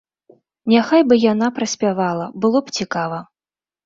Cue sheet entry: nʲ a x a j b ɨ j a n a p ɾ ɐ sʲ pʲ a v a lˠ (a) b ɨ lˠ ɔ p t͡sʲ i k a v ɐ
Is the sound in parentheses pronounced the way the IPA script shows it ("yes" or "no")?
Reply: no